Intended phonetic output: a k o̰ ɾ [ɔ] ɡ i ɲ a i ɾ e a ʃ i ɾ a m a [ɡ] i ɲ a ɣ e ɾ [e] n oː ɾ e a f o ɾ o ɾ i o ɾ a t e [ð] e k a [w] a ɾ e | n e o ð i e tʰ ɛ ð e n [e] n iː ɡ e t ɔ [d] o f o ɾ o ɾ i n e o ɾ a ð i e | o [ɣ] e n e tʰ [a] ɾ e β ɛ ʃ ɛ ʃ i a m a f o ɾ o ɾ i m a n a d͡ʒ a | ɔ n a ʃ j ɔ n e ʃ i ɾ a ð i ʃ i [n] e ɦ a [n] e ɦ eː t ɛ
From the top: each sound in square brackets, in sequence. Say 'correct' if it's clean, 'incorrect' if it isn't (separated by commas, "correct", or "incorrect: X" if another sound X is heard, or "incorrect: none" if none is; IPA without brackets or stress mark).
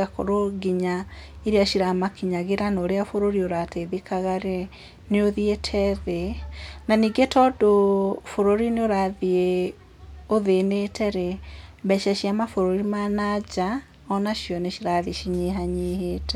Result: incorrect: o, incorrect: k, incorrect: a, correct, incorrect: ɣ, incorrect: a, correct, incorrect: ð, incorrect: ɛ, incorrect: ɲ, incorrect: ɲ